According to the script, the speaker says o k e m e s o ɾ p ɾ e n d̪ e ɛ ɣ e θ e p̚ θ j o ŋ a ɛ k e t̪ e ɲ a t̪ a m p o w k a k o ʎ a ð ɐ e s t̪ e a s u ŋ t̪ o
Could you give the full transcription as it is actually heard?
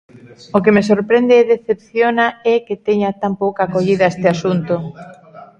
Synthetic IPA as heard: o k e m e s o ɾ p ɾ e n d̪ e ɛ ð e θ e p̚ θ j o n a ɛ k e t̪ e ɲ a t̪ a m p o w k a k o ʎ i ð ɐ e s t̪ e a s u n t̪ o